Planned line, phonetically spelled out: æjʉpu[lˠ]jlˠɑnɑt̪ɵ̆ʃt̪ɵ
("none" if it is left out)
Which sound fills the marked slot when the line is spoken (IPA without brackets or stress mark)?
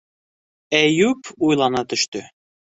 none